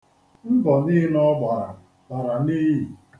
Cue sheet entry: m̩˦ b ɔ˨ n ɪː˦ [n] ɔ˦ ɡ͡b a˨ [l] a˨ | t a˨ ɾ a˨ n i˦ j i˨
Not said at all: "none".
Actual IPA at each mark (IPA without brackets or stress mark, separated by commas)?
n, ɾ